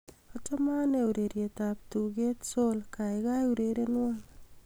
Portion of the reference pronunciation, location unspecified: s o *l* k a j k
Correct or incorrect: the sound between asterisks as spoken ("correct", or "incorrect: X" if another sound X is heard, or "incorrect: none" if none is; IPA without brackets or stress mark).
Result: correct